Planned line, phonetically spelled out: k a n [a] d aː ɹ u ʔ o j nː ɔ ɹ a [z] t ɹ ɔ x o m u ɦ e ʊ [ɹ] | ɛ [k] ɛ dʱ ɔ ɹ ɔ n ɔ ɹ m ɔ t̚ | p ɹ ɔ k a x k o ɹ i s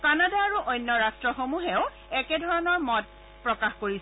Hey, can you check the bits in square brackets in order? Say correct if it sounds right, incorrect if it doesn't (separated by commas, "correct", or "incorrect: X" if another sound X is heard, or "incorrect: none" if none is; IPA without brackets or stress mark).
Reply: correct, incorrect: s, incorrect: none, correct